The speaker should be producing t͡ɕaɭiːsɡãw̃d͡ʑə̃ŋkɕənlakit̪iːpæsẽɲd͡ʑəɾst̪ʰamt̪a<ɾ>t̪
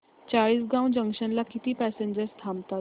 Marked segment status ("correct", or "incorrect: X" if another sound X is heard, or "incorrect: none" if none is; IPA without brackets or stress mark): incorrect: none